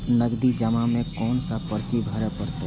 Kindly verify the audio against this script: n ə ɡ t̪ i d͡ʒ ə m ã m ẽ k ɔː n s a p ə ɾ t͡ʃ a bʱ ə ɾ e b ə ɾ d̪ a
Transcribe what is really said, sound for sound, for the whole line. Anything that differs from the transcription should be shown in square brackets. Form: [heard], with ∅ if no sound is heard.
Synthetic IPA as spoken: n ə ɡ [d̪] i d͡ʒ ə m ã m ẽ k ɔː n s a p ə ɾ t͡ʃ [i] bʱ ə ɾ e [p] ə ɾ [t̪] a